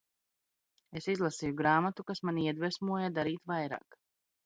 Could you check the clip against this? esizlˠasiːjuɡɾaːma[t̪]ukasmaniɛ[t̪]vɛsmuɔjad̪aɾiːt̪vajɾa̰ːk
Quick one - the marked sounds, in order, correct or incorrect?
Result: correct, incorrect

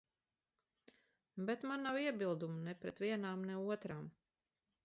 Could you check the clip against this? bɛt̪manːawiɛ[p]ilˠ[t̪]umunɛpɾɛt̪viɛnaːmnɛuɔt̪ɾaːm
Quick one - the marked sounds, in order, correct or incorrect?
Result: incorrect, incorrect

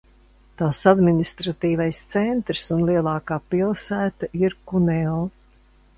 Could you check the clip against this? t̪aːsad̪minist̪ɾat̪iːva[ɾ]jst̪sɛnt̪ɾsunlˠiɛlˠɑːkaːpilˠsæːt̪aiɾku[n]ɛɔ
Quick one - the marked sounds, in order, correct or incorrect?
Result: incorrect, correct

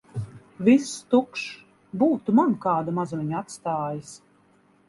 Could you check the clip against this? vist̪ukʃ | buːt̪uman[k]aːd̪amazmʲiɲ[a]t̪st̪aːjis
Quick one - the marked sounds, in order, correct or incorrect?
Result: correct, correct

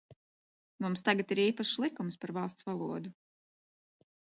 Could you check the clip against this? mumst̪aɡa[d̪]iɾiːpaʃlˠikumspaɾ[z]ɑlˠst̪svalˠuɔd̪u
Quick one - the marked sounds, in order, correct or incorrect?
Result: incorrect, incorrect

